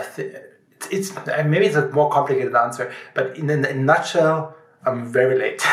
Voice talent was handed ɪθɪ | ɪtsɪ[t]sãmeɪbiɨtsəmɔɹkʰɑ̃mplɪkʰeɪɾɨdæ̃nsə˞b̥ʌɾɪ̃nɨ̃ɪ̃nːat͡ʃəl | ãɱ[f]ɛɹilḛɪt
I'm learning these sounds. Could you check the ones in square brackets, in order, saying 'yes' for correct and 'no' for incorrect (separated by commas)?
yes, no